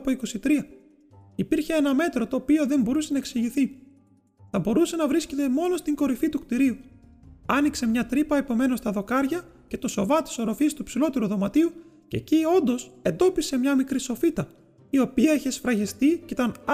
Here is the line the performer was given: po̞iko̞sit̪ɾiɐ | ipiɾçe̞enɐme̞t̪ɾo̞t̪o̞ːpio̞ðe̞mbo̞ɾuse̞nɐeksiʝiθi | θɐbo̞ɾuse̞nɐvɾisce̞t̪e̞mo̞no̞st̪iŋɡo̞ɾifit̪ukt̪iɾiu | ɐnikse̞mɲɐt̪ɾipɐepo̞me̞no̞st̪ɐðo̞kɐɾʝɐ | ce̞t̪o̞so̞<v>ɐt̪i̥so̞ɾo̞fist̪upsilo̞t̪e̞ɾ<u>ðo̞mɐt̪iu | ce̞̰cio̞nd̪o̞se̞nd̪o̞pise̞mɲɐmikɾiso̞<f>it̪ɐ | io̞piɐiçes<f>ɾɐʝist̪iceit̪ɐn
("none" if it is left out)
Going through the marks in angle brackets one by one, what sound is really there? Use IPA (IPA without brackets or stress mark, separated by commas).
v, u, f, f